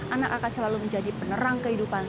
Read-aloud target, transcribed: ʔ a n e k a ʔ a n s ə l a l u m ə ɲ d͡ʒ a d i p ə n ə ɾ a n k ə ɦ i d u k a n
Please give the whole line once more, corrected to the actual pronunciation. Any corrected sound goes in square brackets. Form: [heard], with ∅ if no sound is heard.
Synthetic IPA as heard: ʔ a n [a] k a [k] a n s ə l a l u m ə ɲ d͡ʒ a d i p ə n ə ɾ a [ŋ] k ə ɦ i d u [p] a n